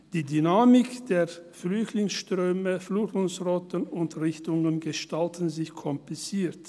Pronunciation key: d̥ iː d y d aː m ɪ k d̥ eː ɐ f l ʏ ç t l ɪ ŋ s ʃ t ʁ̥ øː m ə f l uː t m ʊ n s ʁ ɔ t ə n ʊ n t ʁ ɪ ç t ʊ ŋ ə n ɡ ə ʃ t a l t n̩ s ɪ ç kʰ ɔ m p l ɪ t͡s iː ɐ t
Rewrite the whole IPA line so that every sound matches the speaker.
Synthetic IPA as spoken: d̥ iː d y n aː m ɪ k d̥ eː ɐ f l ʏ ç t l ɪ ŋ s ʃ t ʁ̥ øː m ə f l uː t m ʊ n s ʁ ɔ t ə n ʊ n t ʁ ɪ ç t ʊ ŋ ə n ɡ ə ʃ t a l t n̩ z ɪ ç kʰ ɔ m p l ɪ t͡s iː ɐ t